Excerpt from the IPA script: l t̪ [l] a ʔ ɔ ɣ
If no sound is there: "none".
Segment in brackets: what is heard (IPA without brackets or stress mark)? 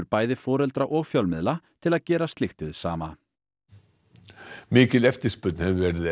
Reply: ɾ